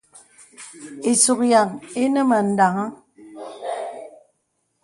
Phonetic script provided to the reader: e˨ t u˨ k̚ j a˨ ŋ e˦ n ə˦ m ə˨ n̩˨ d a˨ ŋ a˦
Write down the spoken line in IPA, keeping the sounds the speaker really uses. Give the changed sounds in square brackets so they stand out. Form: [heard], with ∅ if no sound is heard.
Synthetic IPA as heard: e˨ [s] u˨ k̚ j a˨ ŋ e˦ n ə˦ m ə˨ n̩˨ d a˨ ŋ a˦